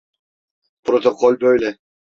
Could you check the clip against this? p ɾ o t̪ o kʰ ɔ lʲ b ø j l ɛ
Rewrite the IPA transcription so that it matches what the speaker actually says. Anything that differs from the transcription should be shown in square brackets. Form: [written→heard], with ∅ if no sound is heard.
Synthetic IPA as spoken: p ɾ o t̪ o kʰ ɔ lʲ b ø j l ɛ

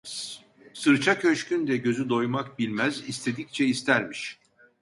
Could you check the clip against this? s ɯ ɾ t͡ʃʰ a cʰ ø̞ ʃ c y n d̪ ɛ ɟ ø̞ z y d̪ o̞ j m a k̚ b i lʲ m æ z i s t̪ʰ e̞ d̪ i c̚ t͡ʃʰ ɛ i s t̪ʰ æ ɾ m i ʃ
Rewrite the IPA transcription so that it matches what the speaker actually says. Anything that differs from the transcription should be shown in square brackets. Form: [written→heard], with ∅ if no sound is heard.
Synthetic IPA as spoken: s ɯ ɾ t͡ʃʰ a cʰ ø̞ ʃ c y n d̪ ɛ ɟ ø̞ z y d̪ o̞ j m a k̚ b i lʲ m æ z i s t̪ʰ e̞ d̪ i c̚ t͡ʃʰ ɛ i s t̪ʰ æ ɾ m i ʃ

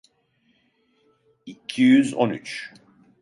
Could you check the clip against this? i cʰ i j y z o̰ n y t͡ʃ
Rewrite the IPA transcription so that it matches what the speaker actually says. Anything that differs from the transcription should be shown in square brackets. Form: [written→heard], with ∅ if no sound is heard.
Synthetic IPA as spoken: i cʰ i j y z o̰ n y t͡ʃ

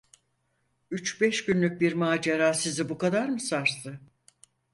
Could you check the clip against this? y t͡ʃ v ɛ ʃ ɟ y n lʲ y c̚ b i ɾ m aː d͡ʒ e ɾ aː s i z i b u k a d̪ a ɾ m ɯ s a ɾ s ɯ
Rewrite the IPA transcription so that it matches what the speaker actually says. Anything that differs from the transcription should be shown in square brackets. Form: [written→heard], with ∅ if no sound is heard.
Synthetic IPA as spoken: y t͡ʃ [v→b] ɛ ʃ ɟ y n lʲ y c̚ b i ɾ m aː d͡ʒ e ɾ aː s i z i b u k a d̪ a ɾ m ɯ s a ɾ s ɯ

